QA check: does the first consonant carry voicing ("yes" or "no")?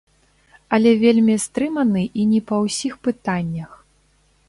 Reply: yes